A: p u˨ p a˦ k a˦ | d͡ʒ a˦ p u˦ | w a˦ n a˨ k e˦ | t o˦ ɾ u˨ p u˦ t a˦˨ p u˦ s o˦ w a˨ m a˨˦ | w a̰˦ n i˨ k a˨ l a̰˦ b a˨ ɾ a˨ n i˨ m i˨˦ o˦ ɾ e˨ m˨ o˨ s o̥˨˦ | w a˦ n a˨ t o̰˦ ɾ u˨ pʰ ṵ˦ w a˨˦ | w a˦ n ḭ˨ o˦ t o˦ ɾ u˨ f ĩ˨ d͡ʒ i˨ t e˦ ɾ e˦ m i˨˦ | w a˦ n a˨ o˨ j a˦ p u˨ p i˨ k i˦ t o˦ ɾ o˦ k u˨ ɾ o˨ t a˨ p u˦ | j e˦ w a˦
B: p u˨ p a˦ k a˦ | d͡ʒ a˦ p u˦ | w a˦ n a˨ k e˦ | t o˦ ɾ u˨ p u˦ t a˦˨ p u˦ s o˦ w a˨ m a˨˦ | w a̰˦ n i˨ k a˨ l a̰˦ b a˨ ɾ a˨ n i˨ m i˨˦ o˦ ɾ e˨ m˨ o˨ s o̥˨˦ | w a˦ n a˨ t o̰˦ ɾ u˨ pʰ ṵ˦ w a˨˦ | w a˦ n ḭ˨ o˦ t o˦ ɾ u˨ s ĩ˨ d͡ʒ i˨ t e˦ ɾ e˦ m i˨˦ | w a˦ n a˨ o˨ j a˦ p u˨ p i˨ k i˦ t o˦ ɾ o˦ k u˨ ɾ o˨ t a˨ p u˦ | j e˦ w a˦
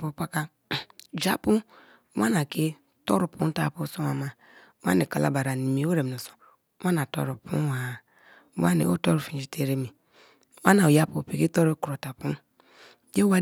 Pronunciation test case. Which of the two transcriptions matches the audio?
A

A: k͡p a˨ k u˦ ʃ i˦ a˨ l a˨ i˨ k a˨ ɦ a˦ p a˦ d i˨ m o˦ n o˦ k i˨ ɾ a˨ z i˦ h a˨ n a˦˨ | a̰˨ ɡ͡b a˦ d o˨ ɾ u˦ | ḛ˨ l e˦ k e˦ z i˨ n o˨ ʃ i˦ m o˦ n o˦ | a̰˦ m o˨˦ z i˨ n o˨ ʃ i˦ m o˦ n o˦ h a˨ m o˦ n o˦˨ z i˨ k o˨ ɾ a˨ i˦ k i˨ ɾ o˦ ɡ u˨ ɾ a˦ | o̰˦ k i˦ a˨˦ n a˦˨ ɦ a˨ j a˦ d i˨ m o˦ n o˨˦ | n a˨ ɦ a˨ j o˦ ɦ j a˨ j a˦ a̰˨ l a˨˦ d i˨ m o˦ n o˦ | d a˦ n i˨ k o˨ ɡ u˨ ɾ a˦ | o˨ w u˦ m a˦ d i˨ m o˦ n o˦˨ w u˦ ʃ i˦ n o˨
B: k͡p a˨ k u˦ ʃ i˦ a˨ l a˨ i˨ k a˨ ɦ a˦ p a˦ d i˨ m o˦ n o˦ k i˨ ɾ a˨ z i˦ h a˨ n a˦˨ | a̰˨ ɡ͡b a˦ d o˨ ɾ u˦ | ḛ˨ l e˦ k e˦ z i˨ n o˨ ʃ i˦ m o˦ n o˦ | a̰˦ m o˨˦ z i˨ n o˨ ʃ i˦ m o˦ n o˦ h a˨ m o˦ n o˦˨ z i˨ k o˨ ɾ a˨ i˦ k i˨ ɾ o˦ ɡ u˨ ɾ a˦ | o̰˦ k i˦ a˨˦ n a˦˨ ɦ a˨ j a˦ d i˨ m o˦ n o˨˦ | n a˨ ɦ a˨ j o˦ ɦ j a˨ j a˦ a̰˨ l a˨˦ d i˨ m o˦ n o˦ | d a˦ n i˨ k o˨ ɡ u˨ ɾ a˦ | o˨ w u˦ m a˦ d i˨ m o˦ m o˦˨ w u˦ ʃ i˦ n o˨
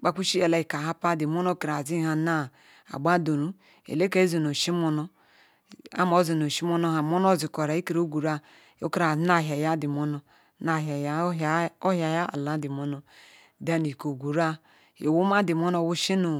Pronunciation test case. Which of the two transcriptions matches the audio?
A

